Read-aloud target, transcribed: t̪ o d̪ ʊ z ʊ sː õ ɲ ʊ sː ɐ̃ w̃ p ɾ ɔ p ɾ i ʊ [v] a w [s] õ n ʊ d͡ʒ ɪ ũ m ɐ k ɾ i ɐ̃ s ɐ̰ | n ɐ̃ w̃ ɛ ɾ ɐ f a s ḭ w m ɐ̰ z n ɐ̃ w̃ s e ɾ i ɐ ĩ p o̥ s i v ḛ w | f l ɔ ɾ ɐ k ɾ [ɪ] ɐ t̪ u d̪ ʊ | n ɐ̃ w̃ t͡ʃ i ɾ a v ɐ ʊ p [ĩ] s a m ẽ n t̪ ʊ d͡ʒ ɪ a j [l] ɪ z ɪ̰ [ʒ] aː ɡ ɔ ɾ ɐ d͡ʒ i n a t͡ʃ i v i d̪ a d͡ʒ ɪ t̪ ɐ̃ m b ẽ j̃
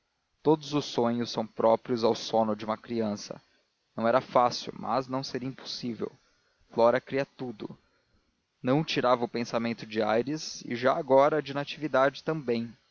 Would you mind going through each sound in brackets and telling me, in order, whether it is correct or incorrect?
incorrect, correct, incorrect, incorrect, incorrect, correct

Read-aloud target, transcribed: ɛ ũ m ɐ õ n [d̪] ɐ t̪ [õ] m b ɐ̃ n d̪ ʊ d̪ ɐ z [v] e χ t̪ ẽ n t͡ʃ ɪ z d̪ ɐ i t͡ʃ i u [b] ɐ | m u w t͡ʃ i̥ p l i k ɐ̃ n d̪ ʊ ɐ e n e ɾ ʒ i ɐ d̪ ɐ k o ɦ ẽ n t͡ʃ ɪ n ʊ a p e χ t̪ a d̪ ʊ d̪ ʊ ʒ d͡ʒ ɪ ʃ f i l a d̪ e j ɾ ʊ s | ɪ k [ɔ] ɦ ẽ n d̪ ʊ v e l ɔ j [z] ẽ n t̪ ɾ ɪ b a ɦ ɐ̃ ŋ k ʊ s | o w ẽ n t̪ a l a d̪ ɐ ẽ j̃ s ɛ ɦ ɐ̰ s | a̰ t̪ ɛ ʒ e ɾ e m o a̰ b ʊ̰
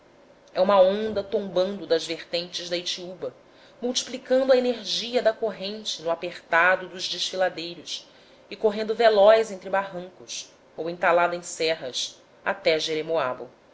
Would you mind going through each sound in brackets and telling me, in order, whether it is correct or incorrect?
correct, correct, correct, correct, incorrect, correct

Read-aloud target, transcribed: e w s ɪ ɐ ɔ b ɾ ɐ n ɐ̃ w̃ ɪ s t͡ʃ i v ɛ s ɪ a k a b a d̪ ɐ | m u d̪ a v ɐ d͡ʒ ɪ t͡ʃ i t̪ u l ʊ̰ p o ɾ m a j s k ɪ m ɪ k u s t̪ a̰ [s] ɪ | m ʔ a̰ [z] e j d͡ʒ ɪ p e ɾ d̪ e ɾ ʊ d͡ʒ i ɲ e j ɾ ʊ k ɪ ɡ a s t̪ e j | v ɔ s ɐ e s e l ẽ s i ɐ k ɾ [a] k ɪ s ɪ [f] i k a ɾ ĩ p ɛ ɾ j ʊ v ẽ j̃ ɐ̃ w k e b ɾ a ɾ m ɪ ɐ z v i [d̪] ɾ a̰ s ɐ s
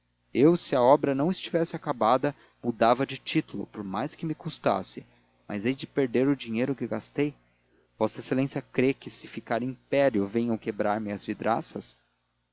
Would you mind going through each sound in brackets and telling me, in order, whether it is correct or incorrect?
correct, correct, incorrect, correct, correct

